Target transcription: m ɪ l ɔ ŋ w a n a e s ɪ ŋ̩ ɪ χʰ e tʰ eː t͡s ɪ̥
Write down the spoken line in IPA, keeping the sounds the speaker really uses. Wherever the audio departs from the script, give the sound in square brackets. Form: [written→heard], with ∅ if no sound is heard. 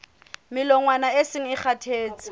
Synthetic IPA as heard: m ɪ l ɔ ŋ w a n a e s ɪ ŋ̩ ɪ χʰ [e→a] tʰ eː t͡s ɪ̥